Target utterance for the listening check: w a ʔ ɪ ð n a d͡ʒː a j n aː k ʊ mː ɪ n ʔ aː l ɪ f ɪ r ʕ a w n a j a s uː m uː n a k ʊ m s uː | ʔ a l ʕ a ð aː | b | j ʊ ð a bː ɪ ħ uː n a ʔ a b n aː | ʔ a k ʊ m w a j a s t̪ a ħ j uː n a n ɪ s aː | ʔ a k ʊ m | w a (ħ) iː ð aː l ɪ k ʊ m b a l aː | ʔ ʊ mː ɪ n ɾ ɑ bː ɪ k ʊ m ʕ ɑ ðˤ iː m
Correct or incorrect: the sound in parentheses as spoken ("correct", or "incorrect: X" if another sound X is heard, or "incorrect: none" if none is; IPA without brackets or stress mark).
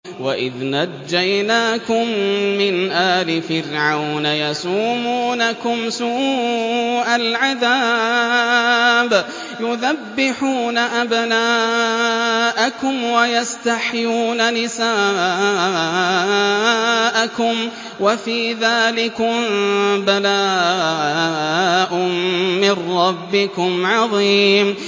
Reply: incorrect: f